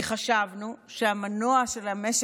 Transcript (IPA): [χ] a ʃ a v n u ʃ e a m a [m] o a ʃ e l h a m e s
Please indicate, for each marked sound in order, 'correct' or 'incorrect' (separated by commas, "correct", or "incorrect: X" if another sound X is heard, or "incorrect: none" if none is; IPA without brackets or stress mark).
correct, incorrect: n